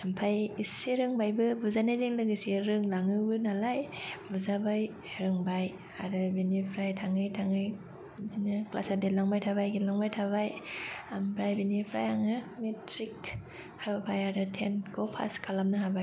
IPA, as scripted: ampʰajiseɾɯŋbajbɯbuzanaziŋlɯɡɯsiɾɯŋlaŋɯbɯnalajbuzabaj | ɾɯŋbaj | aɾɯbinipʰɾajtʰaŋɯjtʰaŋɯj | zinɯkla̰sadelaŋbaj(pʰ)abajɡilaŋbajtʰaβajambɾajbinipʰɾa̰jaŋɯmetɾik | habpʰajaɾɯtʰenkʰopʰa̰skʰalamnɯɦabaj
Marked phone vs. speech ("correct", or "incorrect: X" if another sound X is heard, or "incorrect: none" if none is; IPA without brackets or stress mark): incorrect: tʰ